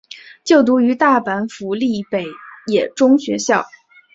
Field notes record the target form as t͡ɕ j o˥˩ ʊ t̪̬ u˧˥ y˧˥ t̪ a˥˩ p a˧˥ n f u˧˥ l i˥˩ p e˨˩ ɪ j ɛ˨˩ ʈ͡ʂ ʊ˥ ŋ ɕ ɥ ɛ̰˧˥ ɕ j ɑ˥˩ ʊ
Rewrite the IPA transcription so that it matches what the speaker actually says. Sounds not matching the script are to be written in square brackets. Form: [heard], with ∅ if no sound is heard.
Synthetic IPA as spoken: t͡ɕ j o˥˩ ʊ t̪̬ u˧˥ y˧˥ t̪ a˥˩ p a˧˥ n f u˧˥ l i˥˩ p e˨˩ ɪ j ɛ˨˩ ʈ͡ʂ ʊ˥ ŋ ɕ ɥ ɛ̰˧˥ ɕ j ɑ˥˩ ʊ

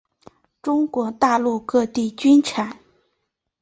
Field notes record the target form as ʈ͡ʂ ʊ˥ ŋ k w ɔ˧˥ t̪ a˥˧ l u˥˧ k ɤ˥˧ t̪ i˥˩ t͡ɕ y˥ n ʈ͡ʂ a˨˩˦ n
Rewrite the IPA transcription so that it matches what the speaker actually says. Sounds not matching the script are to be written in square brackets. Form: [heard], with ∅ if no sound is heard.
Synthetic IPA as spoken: ʈ͡ʂ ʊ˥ ŋ k w ɔ˧˥ t̪ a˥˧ l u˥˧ k ɤ˥˧ t̪ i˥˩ t͡ɕ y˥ n [ʈ͡ʂʰ] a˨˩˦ n

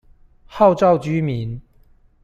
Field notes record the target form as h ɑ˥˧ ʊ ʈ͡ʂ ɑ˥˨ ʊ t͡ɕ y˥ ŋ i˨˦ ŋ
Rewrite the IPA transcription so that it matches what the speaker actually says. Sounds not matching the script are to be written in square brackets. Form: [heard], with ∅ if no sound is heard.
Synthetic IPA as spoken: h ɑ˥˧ ʊ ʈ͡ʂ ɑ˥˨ ʊ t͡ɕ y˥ [m] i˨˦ [n]

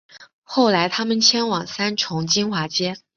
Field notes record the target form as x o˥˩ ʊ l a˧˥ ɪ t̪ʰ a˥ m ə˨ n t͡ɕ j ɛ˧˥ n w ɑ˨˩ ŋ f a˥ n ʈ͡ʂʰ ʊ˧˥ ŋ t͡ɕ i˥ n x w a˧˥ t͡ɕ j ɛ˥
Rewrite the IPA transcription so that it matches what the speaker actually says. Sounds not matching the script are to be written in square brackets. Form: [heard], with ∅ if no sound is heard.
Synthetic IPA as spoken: x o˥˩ ʊ l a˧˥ ɪ t̪ʰ a˥ m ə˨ n [t͡ɕʰ] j [ɛ˥] n w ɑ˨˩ ŋ [s] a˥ n ʈ͡ʂʰ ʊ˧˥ ŋ t͡ɕ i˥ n x w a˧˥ t͡ɕ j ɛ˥

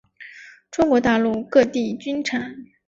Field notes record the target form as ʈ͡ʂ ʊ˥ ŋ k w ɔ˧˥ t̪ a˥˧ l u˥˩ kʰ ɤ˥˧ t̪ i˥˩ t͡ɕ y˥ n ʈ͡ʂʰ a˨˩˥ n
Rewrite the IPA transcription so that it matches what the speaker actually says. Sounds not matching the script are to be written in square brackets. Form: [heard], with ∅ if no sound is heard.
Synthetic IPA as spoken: ʈ͡ʂ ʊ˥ ŋ k w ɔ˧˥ t̪ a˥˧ l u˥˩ [k] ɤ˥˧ t̪ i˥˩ t͡ɕ y˥ n ʈ͡ʂʰ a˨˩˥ n

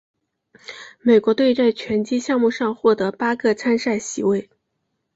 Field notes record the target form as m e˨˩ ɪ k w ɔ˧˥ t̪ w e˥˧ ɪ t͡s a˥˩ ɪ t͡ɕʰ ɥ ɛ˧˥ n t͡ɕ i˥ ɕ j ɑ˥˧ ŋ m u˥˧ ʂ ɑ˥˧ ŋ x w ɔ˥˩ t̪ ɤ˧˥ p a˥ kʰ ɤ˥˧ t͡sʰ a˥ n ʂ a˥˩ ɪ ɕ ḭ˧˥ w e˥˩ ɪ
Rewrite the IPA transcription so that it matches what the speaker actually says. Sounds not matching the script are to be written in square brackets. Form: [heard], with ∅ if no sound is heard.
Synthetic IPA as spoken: m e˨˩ ɪ k w ɔ˧˥ t̪ w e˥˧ ɪ t͡s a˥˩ ɪ t͡ɕʰ ɥ ɛ˧˥ n t͡ɕ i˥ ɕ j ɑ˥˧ ŋ m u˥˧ ʂ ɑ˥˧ ŋ x w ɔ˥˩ t̪ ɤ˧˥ p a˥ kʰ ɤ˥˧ t͡sʰ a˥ n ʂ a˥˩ ɪ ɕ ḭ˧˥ w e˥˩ ɪ

